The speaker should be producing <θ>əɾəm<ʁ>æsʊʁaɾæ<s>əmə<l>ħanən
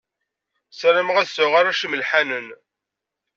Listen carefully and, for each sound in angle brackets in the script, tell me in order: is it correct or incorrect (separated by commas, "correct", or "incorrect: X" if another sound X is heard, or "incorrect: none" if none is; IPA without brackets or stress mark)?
incorrect: s, correct, incorrect: ʃ, correct